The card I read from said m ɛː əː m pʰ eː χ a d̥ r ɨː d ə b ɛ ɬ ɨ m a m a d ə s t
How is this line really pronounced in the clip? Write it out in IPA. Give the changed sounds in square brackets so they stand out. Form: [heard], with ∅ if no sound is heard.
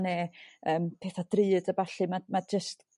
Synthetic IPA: [n] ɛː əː m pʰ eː [θ] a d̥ r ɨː d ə b [a] ɬ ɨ m a m a [d͡ʒ] ə s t